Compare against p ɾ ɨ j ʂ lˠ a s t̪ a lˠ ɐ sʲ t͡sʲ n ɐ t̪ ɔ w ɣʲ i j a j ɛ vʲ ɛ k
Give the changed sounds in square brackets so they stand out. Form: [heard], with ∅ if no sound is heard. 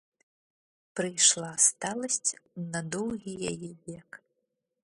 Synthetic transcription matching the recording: p ɾ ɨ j ʂ lˠ a s t̪ a lˠ ɐ sʲ t͡sʲ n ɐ [d̪] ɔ w ɣʲ i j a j ɛ vʲ ɛ k